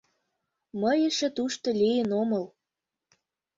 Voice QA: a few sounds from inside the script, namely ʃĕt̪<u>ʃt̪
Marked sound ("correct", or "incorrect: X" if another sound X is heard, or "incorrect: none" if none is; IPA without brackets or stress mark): correct